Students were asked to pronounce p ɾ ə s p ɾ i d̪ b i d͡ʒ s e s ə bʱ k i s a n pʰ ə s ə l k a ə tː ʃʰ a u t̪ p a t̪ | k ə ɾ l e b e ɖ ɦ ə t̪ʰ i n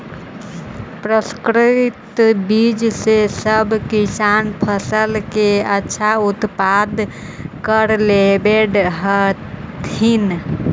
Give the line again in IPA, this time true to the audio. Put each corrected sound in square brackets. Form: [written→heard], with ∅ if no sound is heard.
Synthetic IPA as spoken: p ɾ ə s [p→k] ɾ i [d̪→t̪] b i d͡ʒ s e s ə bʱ k i s a n pʰ ə s ə l k [a→e] ə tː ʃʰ a u t̪ p a [t̪→d̪] | k ə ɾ l e b e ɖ ɦ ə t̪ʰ i n